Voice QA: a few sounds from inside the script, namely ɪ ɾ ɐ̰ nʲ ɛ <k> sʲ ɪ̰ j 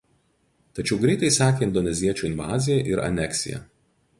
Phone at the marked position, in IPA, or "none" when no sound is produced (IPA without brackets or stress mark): k